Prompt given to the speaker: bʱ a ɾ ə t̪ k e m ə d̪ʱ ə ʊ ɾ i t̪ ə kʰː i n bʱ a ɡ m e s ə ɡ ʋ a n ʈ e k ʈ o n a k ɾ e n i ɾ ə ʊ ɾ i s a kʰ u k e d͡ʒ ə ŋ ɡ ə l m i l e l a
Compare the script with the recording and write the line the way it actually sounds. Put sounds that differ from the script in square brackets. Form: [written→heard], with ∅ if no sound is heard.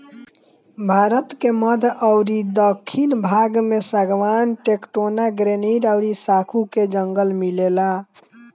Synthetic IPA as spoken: bʱ a ɾ ə t̪ k e m ə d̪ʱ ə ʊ ɾ i [t̪→d̪] ə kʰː i n bʱ a ɡ m e s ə ɡ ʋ a n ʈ e k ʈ o n a [k→ɡ] ɾ e n i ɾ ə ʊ ɾ i s a kʰ u k e d͡ʒ ə ŋ ɡ ə l m i l e l a